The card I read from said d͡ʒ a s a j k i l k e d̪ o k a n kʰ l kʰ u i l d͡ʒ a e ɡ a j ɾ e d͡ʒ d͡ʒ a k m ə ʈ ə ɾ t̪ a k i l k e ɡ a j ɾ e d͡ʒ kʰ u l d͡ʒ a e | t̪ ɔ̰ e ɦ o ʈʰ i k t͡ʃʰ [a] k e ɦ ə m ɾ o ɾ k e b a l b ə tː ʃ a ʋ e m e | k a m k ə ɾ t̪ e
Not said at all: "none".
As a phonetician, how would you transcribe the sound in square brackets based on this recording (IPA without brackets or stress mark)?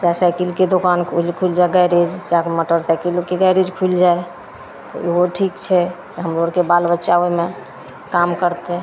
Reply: ɛ